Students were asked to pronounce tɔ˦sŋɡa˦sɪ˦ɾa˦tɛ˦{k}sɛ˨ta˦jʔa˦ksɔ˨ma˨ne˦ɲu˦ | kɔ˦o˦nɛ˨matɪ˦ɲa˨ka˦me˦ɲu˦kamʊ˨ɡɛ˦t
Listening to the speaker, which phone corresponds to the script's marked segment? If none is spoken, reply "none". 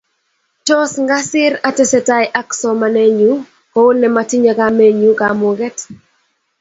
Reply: none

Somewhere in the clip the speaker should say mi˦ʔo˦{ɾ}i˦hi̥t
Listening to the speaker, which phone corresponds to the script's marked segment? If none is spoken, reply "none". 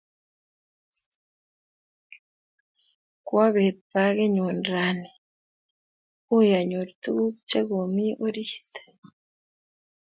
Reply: ɾ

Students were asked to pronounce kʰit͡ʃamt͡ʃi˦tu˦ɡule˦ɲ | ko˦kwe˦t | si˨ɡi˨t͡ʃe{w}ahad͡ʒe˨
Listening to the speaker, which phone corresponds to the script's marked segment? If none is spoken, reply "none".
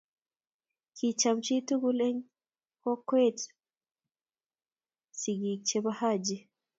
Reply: β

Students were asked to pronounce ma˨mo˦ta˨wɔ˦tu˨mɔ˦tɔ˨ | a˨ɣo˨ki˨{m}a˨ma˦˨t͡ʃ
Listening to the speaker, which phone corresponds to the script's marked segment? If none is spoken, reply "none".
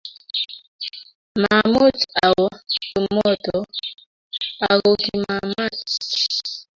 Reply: m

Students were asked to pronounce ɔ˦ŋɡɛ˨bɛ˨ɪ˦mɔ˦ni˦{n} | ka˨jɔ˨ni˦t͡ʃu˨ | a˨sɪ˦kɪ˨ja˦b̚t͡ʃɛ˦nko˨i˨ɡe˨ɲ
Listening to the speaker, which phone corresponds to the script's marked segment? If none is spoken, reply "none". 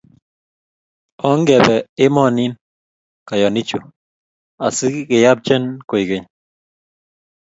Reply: n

